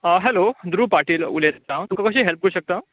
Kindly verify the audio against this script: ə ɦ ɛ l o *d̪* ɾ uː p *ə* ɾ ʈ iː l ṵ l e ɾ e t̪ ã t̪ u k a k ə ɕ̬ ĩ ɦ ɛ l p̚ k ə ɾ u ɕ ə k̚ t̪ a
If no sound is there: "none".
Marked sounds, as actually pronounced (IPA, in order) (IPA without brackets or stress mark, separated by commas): d̪, a